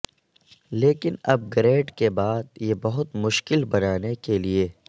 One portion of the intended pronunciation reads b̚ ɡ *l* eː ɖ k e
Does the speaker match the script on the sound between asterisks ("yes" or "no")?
no